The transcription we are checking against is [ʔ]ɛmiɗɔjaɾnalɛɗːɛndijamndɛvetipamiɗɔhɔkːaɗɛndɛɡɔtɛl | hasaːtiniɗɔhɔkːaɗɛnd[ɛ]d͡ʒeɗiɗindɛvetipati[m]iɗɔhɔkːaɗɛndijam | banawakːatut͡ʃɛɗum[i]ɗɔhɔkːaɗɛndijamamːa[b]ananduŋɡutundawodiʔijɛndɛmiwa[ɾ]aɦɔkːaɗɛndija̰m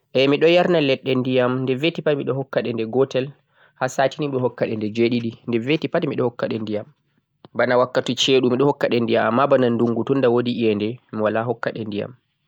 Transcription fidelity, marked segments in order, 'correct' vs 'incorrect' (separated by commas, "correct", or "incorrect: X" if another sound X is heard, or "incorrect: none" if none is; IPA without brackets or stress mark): correct, correct, correct, correct, correct, incorrect: l